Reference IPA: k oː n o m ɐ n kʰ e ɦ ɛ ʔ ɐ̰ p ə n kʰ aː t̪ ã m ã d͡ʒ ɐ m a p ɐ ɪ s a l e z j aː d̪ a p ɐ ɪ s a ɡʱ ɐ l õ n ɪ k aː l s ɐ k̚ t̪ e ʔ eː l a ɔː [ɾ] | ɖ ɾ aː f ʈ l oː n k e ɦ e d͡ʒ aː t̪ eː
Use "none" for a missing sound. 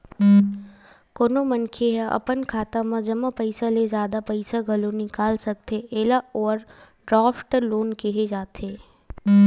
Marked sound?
ɾ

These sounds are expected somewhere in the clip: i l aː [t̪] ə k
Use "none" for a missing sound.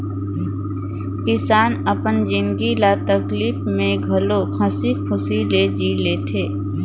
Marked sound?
t̪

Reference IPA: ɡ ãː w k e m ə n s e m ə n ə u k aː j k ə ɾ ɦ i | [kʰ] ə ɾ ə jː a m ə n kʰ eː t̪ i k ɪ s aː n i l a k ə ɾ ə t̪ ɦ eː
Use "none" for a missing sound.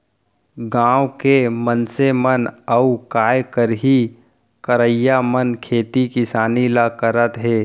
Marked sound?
k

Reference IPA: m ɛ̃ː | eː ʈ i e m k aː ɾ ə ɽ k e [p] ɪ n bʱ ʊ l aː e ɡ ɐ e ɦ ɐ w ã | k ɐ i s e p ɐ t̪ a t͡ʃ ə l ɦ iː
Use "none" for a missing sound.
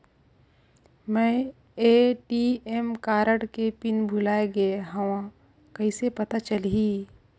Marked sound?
p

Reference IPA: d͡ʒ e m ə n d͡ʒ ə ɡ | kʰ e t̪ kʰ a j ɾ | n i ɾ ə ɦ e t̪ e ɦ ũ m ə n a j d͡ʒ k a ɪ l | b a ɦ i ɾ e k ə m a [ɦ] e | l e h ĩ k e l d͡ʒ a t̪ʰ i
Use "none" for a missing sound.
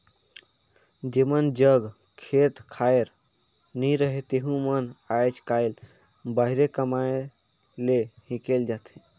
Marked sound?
none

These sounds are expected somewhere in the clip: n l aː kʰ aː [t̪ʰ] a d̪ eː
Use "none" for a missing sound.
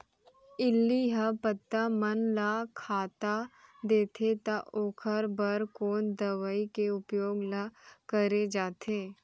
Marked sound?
t̪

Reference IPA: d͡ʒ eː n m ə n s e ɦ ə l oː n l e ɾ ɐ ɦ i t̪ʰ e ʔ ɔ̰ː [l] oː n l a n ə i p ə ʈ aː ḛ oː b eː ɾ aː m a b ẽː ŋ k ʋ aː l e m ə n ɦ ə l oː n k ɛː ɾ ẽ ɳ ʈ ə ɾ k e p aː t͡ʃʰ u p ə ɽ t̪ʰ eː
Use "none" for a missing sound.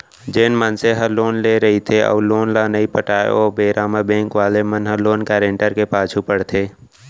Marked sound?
l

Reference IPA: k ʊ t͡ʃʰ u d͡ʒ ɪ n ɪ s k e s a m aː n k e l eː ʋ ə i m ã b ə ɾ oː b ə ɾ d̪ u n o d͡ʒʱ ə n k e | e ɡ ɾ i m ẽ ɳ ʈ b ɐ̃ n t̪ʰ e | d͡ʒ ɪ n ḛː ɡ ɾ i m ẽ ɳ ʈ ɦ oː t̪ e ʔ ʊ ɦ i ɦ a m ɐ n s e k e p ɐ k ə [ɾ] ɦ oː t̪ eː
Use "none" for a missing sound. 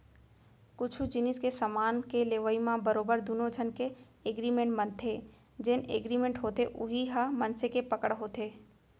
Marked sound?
ɽ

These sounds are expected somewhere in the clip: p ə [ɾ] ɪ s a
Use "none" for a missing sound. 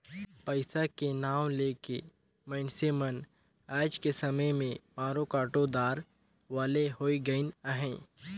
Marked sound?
none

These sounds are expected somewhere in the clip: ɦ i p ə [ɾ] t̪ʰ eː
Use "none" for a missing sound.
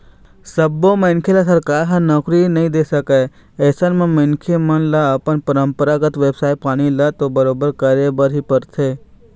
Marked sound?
ɾ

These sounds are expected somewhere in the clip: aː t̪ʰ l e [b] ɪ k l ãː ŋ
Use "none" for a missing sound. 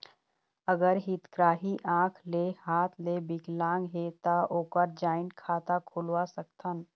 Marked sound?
b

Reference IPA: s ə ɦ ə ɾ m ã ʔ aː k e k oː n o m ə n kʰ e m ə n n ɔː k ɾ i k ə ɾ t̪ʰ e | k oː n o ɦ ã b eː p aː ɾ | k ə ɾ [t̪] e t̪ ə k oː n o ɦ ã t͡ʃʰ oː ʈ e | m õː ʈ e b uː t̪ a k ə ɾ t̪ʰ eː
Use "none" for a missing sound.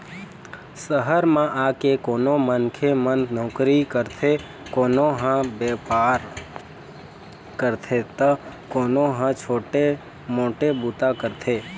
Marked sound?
t̪ʰ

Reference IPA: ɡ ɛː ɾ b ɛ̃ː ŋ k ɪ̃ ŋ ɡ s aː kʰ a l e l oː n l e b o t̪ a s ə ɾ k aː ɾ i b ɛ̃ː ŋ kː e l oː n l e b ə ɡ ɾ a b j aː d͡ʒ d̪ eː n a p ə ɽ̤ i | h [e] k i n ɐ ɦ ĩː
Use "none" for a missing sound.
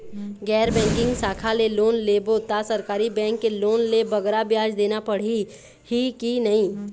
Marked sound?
i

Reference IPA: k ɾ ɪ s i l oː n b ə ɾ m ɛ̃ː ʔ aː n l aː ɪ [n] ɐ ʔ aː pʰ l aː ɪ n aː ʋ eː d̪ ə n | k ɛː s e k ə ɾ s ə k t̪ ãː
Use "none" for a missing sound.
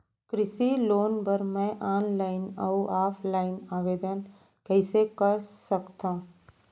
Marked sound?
n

